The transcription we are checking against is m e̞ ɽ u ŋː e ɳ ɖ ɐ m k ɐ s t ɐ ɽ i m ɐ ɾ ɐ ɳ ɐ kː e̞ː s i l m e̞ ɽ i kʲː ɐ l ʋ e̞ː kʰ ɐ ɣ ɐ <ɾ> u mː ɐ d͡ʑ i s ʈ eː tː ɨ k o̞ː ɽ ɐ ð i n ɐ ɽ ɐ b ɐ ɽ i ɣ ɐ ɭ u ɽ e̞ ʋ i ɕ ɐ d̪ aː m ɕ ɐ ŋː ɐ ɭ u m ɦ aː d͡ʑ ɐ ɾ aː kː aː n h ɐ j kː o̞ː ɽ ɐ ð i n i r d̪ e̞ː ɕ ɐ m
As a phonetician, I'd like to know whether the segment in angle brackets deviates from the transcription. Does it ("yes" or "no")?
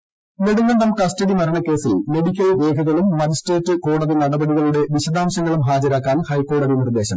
yes